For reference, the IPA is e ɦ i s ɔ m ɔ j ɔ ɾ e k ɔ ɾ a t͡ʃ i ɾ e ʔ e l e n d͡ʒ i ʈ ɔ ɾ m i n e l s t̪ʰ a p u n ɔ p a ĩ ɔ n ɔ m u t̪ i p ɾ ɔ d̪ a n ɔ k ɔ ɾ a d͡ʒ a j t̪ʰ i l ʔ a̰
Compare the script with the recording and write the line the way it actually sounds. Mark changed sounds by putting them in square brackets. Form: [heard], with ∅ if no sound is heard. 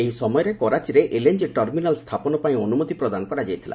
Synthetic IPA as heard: e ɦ i s ɔ m ɔ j ɔ ɾ e k ɔ ɾ a t͡ʃ i ɾ e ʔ e l e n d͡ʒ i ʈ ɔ ɾ m i n [a] l s t̪ʰ a p [ɔ] n ɔ p a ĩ ɔ n [u] m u t̪ i p ɾ ɔ d̪ a n ɔ k ɔ ɾ a d͡ʒ a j t̪ʰ i l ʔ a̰